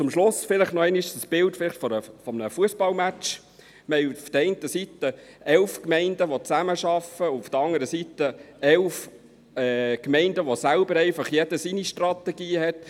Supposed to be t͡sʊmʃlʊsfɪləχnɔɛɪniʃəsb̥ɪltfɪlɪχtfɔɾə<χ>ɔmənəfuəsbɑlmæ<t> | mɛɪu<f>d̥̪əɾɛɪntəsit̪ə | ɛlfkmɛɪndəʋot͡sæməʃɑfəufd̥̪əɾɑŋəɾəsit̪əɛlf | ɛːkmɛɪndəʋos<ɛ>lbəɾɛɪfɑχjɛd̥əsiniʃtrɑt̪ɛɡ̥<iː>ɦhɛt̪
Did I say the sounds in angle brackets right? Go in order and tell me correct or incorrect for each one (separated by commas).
incorrect, incorrect, correct, incorrect, correct